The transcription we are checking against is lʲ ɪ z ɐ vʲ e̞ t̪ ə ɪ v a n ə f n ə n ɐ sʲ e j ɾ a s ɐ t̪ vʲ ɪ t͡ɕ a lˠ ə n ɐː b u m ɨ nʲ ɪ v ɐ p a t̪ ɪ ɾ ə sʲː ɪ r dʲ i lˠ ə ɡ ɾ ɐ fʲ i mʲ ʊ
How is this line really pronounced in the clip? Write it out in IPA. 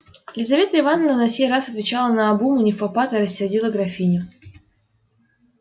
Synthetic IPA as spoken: lʲ ɪ z ɐ vʲ e̞ t̪ ə ɪ v a n ə v n ə n ɐ sʲ e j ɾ a s ɐ t̪ vʲ ɪ t͡ɕ a lˠ ə n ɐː b u m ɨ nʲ ɪ f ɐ p a t̪ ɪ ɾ ə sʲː ɪ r dʲ i lˠ ə ɡ ɾ ɐ fʲ i nʲ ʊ